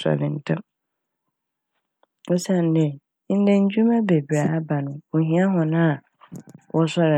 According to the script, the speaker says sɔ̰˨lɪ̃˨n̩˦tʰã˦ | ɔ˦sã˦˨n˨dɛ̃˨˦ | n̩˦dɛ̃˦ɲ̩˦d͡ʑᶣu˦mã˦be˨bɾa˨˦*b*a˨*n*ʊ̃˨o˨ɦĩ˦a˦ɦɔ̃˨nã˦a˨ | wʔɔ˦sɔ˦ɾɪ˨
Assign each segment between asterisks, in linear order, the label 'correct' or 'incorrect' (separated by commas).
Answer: correct, correct